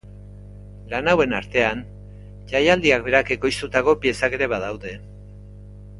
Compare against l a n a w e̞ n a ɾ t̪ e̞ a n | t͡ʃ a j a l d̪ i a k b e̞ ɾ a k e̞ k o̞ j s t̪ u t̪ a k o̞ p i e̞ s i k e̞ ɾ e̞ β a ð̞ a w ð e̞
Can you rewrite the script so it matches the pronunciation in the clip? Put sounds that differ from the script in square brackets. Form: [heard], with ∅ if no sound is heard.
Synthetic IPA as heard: l a n a w e̞ n a ɾ t̪ e̞ a n | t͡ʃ a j a l d̪ i a k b e̞ ɾ a k e̞ k o̞ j s t̪ u t̪ a k o̞ p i e̞ s [a] k e̞ ɾ e̞ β a ð̞ a w ð e̞